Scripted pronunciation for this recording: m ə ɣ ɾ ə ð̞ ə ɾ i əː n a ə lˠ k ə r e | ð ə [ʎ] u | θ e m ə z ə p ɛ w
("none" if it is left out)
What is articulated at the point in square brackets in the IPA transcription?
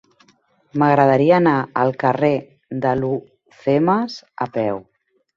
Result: l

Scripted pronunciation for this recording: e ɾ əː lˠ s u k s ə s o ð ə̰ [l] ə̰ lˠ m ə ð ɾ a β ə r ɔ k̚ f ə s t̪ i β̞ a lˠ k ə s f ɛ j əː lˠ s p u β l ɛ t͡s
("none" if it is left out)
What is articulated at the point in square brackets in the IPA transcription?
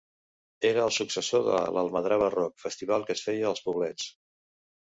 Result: l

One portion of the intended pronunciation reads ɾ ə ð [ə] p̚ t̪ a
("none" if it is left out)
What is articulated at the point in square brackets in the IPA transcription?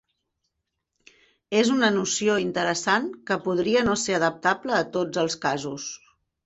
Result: ə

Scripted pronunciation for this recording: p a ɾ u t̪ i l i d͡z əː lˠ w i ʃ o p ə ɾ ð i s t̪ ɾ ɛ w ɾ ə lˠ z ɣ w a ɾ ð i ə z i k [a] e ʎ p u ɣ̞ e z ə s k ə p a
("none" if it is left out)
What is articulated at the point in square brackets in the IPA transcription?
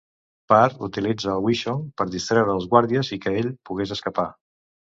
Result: ə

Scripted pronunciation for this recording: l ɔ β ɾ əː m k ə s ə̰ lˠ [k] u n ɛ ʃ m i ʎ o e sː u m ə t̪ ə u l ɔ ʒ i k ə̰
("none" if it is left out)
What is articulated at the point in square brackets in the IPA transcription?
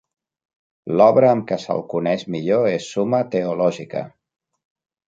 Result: k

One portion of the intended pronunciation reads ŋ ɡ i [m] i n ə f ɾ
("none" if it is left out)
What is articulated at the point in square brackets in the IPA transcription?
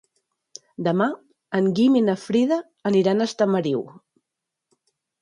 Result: m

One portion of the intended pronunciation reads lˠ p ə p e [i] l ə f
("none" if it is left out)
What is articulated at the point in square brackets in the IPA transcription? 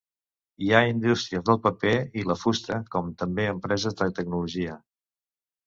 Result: i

